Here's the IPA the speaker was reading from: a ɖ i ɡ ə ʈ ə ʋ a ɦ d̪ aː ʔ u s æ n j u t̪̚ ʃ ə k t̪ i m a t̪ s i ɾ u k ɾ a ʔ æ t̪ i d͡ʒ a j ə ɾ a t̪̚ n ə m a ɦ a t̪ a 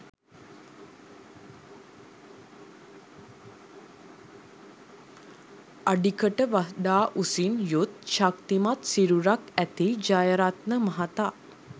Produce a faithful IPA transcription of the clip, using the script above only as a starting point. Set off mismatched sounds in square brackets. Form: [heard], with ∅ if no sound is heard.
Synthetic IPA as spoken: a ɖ i [k] ə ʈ ə ʋ a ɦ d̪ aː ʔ u s [i] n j u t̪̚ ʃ [a] k t̪ i m a t̪ s i ɾ u [∅] ɾ a [k] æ t̪ i d͡ʒ a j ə ɾ a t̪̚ n ə m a ɦ a t̪ a